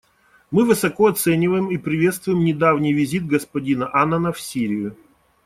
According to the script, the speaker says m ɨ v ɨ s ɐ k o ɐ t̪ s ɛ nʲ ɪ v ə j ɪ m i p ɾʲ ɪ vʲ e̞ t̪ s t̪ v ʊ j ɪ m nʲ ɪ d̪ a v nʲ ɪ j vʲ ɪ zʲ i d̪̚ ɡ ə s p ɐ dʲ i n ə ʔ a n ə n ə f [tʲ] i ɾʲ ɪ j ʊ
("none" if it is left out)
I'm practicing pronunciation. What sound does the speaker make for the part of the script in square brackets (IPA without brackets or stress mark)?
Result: sʲ